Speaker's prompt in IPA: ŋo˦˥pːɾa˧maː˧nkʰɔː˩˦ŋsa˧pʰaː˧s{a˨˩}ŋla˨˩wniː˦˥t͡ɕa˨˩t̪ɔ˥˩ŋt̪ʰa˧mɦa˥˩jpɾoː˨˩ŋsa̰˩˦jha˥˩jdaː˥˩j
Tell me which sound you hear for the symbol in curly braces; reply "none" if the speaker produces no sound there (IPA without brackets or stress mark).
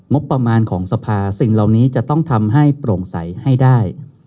i˨˩